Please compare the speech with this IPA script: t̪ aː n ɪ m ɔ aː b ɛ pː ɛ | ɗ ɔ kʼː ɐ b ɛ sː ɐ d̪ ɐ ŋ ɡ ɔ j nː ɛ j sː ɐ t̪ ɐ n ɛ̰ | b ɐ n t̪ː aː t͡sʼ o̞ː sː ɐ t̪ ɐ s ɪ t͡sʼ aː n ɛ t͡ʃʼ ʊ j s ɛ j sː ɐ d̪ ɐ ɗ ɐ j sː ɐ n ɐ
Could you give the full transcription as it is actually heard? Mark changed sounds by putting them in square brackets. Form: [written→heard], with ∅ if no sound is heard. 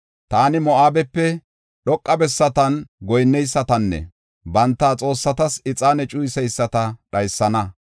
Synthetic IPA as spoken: t̪ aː n ɪ m ɔ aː b ɛ pː ɛ | ɗ ɔ kʼː ɐ b ɛ sː ɐ [d̪→t̪] ɐ [ŋ→n] ɡ ɔ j nː ɛ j sː ɐ t̪ ɐ [n→nː] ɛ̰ | b ɐ n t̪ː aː t͡sʼ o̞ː sː ɐ t̪ ɐ s ɪ t͡sʼ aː n ɛ t͡ʃʼ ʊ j s ɛ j sː ɐ [d̪→t̪] ɐ ɗ ɐ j sː ɐ n ɐ

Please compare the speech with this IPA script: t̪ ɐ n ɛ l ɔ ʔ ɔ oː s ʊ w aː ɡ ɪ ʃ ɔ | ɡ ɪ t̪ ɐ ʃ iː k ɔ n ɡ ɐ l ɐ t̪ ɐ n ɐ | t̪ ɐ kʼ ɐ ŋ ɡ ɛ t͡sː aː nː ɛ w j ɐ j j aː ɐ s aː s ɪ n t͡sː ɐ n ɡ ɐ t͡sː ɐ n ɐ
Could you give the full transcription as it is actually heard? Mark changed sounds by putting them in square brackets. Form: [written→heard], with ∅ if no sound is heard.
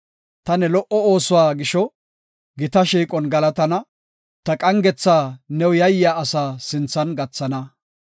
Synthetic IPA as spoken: t̪ ɐ n ɛ l ɔ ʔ ɔ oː s ʊ w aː ɡ ɪ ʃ ɔ | ɡ ɪ t̪ ɐ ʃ iː [k→kʼ] ɔ n ɡ ɐ l ɐ t̪ ɐ n ɐ | t̪ ɐ kʼ ɐ ŋ ɡ ɛ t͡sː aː [nː→n] ɛ w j ɐ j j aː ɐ s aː s ɪ n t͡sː ɐ n ɡ ɐ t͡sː ɐ n ɐ

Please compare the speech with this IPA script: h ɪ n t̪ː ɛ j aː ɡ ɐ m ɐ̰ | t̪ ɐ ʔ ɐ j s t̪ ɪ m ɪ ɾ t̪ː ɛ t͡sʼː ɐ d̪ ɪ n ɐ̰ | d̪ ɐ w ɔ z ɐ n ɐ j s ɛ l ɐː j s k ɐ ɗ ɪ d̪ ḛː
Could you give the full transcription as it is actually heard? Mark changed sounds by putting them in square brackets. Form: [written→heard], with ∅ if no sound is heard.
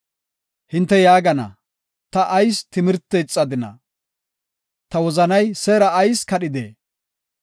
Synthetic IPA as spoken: h ɪ n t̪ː ɛ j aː ɡ ɐ [m→n] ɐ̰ | t̪ ɐ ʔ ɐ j s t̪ ɪ m ɪ ɾ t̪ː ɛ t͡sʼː ɐ d̪ ɪ n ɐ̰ | [d̪→t̪] ɐ w ɔ z ɐ n ɐ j s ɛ [l→ɾ] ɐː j s k ɐ ɗ ɪ d̪ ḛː

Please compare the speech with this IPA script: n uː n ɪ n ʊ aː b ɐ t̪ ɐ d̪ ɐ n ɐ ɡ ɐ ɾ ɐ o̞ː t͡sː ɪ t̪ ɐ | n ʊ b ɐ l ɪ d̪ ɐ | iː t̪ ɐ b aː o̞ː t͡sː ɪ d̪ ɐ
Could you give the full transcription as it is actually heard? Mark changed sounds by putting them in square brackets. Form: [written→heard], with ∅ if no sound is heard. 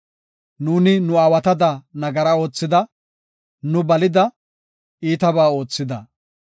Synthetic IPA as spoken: n uː n ɪ n ʊ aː [b→w] ɐ t̪ ɐ d̪ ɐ n ɐ ɡ ɐ ɾ ɐ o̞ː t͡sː ɪ [t̪→d̪] ɐ | n ʊ b ɐ l ɪ d̪ ɐ | iː t̪ ɐ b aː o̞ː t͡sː ɪ d̪ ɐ

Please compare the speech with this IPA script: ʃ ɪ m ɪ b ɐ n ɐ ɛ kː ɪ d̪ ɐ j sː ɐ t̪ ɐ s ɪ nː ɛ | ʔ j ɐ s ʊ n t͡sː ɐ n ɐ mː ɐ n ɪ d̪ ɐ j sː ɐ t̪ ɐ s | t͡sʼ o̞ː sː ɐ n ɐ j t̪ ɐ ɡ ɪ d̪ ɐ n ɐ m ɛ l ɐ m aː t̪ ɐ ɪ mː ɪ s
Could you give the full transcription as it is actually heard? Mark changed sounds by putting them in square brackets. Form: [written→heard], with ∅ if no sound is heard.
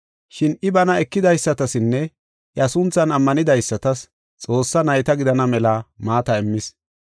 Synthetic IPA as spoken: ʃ ɪ [m→n] ɪ b ɐ n ɐ ɛ kː ɪ d̪ ɐ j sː ɐ t̪ ɐ s ɪ nː ɛ | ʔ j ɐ s ʊ n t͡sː ɐ n ɐ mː ɐ n ɪ d̪ ɐ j sː ɐ t̪ ɐ s | t͡sʼ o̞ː sː ɐ n ɐ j t̪ ɐ ɡ ɪ d̪ ɐ n ɐ m ɛ l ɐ m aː t̪ ɐ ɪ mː ɪ s

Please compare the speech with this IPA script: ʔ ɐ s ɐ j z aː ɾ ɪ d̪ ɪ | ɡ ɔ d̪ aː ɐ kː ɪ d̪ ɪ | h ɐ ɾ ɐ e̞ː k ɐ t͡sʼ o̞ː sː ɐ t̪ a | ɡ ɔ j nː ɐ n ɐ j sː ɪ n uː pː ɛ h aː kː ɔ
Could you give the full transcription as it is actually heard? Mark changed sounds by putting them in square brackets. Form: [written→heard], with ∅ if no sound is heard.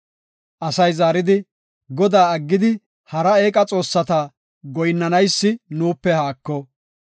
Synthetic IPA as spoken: ʔ ɐ s ɐ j z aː ɾ ɪ d̪ ɪ | ɡ ɔ d̪ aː ɐ [kː→ɡː] ɪ d̪ ɪ | h ɐ ɾ ɐ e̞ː [k→kʼ] ɐ t͡sʼ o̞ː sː ɐ t̪ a | ɡ ɔ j nː ɐ n ɐ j sː ɪ n uː pː ɛ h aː kː ɔ

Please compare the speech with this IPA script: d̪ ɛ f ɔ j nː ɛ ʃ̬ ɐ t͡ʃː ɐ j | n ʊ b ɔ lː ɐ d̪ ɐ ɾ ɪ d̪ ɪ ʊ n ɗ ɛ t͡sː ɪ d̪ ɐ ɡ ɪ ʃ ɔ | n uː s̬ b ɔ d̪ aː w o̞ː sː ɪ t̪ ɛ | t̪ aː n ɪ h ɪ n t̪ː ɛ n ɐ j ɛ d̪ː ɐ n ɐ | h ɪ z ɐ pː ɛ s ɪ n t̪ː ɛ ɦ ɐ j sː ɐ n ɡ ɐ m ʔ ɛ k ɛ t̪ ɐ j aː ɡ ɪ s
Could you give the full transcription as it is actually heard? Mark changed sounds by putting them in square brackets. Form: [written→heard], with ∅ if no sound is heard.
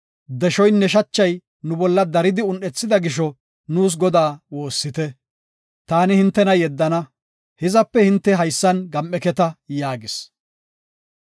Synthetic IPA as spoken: d̪ ɛ [f→ʃ] ɔ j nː ɛ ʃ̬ ɐ t͡ʃː ɐ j | n ʊ b ɔ lː ɐ d̪ ɐ ɾ ɪ d̪ ɪ ʊ n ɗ ɛ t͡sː ɪ d̪ ɐ ɡ ɪ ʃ ɔ | n uː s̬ [b→ɡ] ɔ d̪ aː w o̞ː sː ɪ t̪ ɛ | t̪ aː n ɪ h ɪ n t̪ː ɛ n ɐ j ɛ d̪ː ɐ n ɐ | h ɪ z ɐ pː ɛ [s→h] ɪ n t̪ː ɛ ɦ ɐ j sː ɐ n ɡ ɐ m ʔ ɛ k ɛ t̪ ɐ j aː ɡ ɪ s

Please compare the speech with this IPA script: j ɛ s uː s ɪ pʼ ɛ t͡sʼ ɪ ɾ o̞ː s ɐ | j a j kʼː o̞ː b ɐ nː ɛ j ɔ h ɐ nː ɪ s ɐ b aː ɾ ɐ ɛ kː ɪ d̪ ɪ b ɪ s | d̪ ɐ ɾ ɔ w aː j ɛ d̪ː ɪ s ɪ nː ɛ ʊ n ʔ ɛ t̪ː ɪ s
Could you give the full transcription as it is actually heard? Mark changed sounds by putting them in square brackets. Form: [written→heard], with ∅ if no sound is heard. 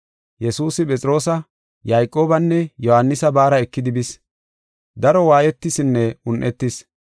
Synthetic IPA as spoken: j ɛ s uː s ɪ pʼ ɛ t͡sʼ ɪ ɾ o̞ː s ɐ | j a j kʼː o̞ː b ɐ nː ɛ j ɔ h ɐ nː ɪ s ɐ b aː ɾ ɐ ɛ kː ɪ d̪ ɪ b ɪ s | d̪ ɐ ɾ ɔ w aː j ɛ [d̪ː→t̪ː] ɪ s ɪ nː ɛ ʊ n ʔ ɛ t̪ː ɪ s

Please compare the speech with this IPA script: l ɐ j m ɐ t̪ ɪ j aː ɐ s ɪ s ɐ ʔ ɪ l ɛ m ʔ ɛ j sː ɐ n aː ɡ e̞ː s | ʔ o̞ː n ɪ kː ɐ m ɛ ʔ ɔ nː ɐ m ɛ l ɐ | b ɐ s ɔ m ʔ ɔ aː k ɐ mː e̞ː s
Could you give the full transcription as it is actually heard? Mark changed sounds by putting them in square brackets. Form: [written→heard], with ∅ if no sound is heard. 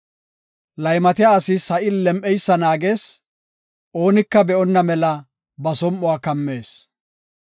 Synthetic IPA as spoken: l ɐ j m ɐ t̪ ɪ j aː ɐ s ɪ s ɐ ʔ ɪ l ɛ m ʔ ɛ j sː ɐ n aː ɡ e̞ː s | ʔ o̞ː n ɪ kː ɐ [m→b] ɛ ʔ ɔ nː ɐ m ɛ l ɐ | b ɐ s ɔ m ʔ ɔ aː k ɐ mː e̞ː s

